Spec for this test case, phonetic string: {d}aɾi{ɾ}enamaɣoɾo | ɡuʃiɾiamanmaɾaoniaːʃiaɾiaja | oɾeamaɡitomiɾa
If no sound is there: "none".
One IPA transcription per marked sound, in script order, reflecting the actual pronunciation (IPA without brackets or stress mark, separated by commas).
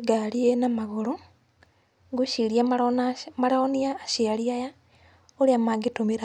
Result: ɡ, none